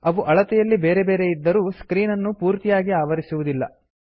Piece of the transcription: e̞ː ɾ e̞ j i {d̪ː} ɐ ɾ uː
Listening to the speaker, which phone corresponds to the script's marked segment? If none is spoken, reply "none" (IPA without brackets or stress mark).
d̪ː